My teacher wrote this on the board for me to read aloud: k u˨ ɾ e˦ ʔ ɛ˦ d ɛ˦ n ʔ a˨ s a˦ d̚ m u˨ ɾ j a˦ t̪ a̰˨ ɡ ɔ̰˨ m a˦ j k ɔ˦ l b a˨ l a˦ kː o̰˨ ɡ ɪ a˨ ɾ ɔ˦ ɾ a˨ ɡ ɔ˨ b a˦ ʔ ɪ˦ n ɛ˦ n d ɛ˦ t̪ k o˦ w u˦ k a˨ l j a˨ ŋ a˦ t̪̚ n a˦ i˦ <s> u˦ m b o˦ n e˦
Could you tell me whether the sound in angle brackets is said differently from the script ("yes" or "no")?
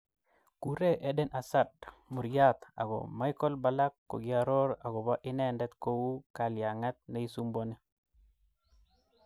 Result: no